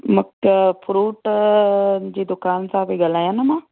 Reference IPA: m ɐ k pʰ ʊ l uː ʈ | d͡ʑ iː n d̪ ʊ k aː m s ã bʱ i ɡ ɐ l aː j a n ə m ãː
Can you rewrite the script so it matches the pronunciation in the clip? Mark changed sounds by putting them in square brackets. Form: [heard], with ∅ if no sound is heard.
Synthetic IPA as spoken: m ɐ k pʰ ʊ [ɾ] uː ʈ | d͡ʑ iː [∅] d̪ ʊ k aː [n] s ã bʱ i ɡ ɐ l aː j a n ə m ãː